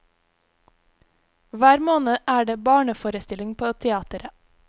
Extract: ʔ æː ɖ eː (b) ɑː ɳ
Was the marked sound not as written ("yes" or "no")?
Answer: no